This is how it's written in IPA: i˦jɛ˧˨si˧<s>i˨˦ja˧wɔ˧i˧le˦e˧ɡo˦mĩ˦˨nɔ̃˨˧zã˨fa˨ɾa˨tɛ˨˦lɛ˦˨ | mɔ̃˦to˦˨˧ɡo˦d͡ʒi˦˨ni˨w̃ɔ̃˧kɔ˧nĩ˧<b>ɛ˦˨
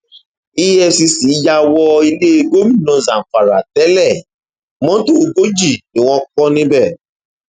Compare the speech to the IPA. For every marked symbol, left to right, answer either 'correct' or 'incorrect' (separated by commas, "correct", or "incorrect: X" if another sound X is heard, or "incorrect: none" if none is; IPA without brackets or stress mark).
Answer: correct, correct